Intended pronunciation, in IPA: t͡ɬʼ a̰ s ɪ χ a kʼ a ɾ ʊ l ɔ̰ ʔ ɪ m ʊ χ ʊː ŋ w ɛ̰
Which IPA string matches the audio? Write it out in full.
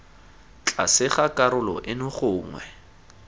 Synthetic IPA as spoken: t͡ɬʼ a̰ s ɪ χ a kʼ a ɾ ʊ l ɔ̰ ʔ ɪ n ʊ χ ʊː ŋ w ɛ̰